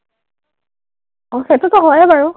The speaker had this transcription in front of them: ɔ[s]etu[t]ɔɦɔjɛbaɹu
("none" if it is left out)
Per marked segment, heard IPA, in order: x, t

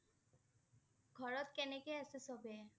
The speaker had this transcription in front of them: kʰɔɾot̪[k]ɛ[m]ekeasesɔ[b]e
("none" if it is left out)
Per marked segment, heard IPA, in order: k, n, b

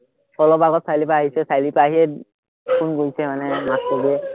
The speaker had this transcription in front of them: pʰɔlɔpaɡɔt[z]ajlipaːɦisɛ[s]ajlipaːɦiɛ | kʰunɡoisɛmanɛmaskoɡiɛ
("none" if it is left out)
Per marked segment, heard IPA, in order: s, s

